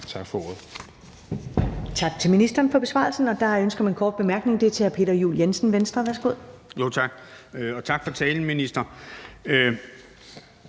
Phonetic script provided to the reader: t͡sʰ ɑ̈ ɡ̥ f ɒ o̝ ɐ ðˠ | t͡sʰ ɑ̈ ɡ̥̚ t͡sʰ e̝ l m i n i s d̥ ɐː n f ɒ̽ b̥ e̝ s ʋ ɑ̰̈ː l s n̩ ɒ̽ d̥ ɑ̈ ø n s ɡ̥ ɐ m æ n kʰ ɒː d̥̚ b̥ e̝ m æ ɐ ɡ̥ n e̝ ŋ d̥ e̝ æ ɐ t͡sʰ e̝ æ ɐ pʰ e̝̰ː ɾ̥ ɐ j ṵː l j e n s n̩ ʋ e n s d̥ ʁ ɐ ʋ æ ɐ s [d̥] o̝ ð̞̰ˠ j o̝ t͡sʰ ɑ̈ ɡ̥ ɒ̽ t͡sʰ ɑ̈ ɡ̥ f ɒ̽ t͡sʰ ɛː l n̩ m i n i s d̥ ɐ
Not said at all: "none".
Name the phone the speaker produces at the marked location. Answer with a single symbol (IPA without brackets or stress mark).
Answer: ɡ̥